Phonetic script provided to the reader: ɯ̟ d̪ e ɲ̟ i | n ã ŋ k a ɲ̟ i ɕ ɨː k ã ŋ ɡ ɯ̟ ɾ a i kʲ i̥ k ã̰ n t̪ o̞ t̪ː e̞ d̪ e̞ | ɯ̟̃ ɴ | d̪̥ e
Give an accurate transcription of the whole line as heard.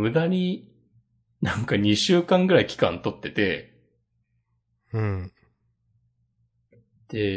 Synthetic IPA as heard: ɯ̟ d̪ a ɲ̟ i | n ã ŋ k a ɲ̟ i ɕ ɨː k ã ŋ ɡ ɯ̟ ɾ a i kʲ i̥ k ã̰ n t̪ o̞ t̪ː e̞ t̪ e̞ | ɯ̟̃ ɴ | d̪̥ e